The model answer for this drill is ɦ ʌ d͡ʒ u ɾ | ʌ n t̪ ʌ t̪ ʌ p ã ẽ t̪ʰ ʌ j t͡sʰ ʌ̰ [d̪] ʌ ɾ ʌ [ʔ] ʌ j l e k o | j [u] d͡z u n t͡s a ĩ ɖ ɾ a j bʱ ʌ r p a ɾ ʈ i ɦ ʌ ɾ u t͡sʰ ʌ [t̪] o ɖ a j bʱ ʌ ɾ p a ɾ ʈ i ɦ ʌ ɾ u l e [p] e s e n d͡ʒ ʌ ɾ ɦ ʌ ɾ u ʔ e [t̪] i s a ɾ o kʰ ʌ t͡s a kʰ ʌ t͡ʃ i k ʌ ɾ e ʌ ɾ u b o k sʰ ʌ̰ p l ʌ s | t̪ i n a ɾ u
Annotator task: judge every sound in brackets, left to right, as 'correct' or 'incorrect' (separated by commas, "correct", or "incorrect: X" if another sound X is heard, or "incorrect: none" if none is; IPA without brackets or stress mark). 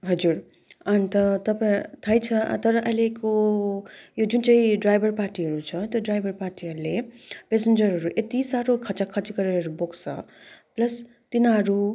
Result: incorrect: t̪, correct, incorrect: o, correct, correct, correct